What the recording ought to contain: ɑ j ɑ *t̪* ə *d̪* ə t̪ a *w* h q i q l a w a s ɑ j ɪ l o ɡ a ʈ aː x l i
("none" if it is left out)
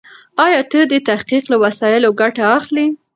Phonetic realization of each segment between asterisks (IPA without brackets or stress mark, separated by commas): t̪, d̪, none